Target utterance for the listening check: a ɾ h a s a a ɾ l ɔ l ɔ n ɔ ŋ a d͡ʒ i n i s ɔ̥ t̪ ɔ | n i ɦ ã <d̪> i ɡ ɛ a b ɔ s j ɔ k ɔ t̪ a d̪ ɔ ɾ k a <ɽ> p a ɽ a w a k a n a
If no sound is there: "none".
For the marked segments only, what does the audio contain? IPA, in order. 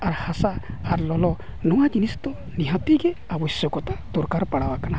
t̪, ɾ

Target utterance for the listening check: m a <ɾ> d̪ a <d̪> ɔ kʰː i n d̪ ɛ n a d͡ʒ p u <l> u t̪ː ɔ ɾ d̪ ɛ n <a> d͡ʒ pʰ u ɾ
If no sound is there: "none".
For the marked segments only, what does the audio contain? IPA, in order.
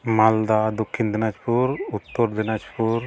l, d̪, ɾ, a

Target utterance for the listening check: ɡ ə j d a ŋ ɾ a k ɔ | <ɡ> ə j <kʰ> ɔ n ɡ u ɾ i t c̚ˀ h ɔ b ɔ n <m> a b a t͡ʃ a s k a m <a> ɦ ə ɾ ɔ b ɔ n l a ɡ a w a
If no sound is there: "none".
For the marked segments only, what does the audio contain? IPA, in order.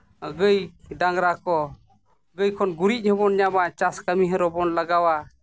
ɡ, kʰ, ɲ, i

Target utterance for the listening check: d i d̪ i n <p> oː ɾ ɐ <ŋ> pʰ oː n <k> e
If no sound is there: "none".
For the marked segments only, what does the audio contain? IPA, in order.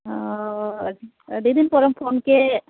p, m, k

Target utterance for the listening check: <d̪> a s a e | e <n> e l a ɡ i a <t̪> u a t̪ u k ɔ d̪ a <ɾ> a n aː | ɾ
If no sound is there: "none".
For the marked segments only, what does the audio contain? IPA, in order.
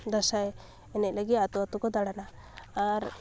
d̪, n, t̪, ɽ

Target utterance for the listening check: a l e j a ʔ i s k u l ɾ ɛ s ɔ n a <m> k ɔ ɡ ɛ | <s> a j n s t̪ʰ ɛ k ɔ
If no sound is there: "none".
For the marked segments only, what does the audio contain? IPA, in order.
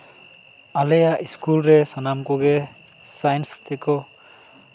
m, s

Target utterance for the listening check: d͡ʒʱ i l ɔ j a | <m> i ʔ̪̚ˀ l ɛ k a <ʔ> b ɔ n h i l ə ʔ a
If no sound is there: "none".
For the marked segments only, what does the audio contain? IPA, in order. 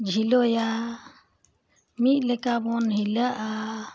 m, none

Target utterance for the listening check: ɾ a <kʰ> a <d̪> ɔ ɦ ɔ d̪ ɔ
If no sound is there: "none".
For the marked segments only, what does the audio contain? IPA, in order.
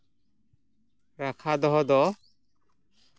kʰ, d̪

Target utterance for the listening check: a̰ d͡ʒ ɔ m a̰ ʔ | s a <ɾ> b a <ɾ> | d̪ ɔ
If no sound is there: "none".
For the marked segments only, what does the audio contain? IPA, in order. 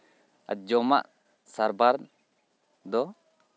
ɾ, ɾ

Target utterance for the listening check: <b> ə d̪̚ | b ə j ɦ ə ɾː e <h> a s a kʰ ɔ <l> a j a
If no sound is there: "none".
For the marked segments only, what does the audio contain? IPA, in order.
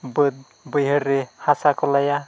b, h, l

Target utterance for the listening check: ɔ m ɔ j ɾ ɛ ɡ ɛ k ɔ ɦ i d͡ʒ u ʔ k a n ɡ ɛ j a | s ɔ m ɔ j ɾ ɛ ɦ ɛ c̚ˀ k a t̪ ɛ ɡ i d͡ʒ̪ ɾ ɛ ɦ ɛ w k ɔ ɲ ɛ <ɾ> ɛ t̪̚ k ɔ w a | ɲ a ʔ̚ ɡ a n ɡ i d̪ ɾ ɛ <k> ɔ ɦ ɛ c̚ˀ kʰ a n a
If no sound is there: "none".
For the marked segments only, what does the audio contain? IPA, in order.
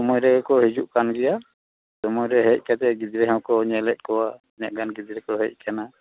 l, k

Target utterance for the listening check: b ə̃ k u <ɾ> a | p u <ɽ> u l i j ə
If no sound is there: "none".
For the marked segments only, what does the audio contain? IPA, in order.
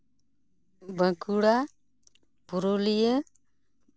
ɽ, ɾ

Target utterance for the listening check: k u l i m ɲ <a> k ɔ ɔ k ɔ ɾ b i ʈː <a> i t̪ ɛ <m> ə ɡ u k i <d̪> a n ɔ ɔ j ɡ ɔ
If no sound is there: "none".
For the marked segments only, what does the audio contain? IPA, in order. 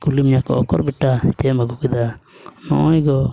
a, a, m, d̪

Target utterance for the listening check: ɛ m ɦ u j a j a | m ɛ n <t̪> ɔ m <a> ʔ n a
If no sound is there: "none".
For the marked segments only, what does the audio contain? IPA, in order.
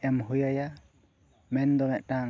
d̪, ɛ

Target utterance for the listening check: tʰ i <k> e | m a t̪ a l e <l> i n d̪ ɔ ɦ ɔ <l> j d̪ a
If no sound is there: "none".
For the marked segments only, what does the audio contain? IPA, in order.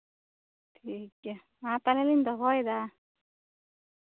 k, l, none

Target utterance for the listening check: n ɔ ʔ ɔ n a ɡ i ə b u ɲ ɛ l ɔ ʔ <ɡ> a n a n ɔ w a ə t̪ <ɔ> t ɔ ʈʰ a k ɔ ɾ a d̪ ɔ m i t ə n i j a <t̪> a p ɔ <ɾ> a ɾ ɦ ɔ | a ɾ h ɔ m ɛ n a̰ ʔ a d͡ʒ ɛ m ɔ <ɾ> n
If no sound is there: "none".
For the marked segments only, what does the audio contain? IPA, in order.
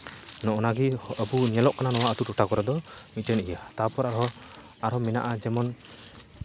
k, u, t̪, ɾ, none

